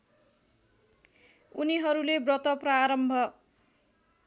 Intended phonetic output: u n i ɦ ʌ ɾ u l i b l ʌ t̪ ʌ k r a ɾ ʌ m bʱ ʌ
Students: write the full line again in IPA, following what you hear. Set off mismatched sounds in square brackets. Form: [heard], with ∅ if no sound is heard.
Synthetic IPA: u n i ɦ ʌ ɾ u l [e] b [r] ʌ t̪ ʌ [p] r a ɾ ʌ m bʱ ʌ

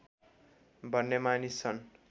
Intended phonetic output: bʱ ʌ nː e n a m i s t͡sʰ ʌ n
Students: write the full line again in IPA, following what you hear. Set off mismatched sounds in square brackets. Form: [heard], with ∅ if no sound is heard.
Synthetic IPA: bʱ ʌ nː e [m] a [n] i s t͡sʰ ʌ n

